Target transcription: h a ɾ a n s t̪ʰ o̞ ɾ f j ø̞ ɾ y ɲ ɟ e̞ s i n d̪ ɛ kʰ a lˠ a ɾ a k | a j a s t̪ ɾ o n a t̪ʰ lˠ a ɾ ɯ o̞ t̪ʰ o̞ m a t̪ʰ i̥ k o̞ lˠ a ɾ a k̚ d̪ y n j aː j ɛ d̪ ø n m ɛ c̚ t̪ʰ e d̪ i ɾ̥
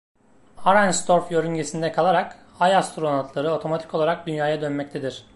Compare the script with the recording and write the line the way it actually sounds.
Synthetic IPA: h a ɾ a n s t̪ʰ o̞ ɾ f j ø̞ ɾ y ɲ ɟ e̞ s i n d̪ ɛ kʰ a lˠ a ɾ a k | a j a s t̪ ɾ o n a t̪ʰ lˠ a ɾ ɯ o̞ t̪ʰ o̞ m a t̪ʰ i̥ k o̞ lˠ a ɾ a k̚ d̪ y n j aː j a d̪ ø n m ɛ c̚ t̪ʰ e d̪ i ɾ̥

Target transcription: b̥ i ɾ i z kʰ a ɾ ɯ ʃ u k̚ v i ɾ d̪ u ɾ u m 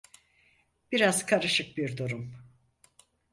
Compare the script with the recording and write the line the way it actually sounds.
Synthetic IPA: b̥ i ɾ a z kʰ a ɾ ɯ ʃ ɯ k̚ b i ɾ d̪ u ɾ u m

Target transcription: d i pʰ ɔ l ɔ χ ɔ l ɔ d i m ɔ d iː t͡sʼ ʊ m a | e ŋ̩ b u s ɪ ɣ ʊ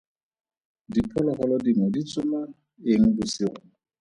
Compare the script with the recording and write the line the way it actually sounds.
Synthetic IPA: d i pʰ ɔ l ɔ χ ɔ l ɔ d i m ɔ d i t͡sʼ ʊ m a | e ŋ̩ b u s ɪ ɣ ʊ

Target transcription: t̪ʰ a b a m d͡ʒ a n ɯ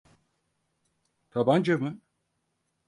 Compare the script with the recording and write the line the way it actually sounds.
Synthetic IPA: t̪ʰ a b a n d͡ʒ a m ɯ

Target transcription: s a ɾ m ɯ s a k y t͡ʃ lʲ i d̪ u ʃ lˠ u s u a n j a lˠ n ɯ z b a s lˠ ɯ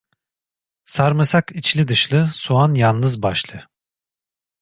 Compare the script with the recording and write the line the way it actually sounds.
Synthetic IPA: s a ɾ m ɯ s a k i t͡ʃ lʲ i d̪ ɯ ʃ lˠ ɯ s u a n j a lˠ n ɯ z b a ʃ lˠ ɯ

